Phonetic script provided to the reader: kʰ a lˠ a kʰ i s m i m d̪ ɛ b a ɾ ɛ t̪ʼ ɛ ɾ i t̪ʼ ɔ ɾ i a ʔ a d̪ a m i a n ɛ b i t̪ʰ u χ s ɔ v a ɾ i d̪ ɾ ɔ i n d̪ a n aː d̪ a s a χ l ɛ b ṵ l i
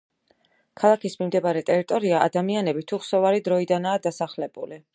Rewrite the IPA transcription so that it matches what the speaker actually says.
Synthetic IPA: kʰ a lˠ a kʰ i s m i m d̪ ɛ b a ɾ ɛ t̪ʼ ɛ ɾ i t̪ʼ ɔ ɾ i a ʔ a d̪ a m i a n ɛ b i t̪ʰ u χ s ɔ v a ɾ i d̪ ɾ ɔ i d̪ a n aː d̪ a s a χ l ɛ b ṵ l i